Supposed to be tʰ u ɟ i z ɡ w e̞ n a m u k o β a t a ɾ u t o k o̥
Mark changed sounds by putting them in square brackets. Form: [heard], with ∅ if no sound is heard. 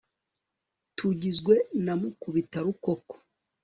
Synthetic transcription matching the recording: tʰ u ɟ i z ɡ w e̞ n a m u k [u] β [i] t a ɾ u [k] o k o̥